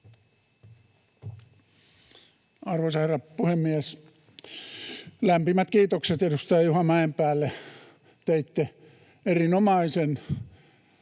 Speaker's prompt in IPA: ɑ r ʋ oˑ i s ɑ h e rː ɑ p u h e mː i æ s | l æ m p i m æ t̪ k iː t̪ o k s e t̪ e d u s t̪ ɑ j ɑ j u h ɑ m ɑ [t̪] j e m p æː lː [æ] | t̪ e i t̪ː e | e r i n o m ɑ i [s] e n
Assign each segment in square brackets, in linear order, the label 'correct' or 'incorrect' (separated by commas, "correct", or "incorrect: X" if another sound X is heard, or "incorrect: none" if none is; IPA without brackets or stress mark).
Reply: incorrect: none, incorrect: e, correct